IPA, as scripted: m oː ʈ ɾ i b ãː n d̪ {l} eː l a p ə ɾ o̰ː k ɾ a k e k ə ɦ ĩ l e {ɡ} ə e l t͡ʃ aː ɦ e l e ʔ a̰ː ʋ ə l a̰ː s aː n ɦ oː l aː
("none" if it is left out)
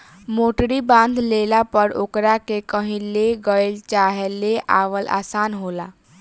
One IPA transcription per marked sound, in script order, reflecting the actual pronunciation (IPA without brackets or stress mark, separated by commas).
l, ɡ